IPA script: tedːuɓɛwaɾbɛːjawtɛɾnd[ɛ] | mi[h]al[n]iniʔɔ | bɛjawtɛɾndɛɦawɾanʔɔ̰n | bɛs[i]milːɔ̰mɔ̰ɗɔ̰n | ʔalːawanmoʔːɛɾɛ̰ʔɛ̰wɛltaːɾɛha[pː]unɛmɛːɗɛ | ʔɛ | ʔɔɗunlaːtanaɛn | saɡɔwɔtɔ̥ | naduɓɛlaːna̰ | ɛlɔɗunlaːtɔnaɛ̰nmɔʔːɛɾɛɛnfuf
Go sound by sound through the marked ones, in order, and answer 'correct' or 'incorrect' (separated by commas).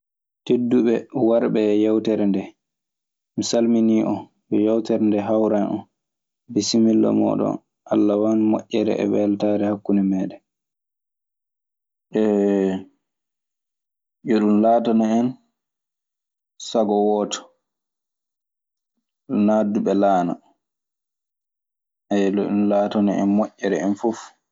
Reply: correct, incorrect, incorrect, correct, incorrect